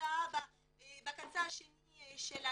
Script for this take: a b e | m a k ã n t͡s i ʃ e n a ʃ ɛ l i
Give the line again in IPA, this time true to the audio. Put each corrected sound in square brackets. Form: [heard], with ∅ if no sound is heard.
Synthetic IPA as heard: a b [a] | [b] a k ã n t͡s [a] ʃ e n [i] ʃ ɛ l [a]